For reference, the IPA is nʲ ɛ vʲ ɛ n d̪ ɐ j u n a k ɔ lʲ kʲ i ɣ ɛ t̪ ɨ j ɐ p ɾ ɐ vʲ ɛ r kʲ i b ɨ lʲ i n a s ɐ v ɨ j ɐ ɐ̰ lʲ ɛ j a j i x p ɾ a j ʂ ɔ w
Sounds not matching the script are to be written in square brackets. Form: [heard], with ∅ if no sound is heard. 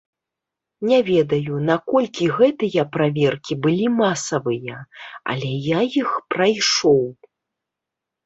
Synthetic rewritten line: nʲ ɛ vʲ ɛ [∅] d̪ ɐ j u n a k ɔ lʲ kʲ i ɣ ɛ t̪ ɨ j ɐ p ɾ [a] vʲ ɛ r kʲ i b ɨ lʲ i [m] a s ɐ v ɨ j ɐ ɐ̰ lʲ ɛ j a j i x p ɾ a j ʂ ɔ w